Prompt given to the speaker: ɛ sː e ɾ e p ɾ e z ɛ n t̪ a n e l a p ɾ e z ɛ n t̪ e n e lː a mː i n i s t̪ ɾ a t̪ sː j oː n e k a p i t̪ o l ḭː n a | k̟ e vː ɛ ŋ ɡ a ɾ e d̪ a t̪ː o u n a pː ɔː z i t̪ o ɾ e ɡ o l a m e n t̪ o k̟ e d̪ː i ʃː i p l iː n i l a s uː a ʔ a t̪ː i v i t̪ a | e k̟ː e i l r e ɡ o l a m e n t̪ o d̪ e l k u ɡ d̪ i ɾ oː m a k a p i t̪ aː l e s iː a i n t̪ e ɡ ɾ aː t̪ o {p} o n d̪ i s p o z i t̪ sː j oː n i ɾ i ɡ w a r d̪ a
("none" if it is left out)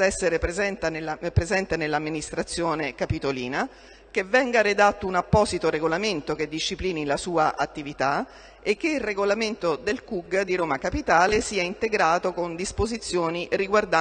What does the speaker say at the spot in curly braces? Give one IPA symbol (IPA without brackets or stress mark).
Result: k